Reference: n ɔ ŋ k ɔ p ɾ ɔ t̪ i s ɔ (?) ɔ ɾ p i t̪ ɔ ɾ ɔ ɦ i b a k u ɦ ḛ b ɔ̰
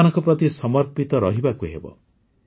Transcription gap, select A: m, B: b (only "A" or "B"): A